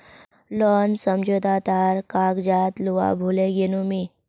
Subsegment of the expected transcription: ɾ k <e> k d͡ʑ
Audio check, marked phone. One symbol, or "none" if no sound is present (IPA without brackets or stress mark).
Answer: a